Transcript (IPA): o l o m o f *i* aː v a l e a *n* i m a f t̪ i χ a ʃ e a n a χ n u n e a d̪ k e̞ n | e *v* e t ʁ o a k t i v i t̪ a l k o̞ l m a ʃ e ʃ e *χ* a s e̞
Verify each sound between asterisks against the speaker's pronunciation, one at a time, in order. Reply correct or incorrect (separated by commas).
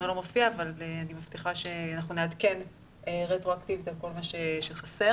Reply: correct, correct, incorrect, correct